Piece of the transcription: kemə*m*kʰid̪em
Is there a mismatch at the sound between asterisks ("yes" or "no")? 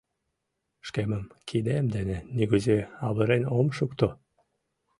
no